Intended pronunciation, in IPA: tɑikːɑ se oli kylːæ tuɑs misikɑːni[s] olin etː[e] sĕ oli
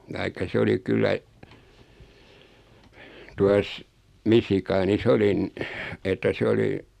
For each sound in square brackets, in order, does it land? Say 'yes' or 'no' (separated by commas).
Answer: yes, no